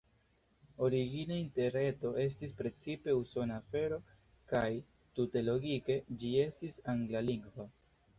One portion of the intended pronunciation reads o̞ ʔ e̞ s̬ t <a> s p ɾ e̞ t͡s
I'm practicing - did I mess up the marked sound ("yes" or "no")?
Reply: yes